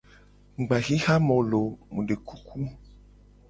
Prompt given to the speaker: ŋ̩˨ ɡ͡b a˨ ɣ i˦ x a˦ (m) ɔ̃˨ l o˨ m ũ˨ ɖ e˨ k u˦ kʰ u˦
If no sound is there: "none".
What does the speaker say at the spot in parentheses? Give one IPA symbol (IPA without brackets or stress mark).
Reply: m